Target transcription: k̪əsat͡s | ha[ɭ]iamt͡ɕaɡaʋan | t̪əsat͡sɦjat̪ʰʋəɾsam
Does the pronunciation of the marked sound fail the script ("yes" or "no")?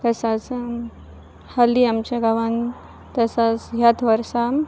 yes